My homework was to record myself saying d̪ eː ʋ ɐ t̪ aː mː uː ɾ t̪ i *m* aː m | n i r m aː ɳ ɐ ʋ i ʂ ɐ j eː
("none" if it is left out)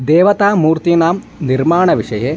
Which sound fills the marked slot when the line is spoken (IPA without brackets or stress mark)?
n